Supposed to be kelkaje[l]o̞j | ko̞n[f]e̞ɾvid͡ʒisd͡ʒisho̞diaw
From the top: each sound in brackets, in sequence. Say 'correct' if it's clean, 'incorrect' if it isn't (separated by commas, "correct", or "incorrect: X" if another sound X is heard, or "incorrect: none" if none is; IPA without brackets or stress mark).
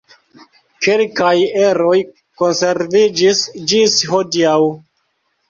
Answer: incorrect: ɾ, incorrect: s